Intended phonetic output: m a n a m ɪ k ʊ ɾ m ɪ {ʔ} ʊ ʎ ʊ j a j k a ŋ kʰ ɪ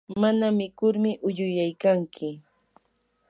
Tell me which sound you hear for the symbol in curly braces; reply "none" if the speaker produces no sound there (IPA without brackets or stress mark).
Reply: ʔ